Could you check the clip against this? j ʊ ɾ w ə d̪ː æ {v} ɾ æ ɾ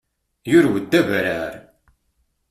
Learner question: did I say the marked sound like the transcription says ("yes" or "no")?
yes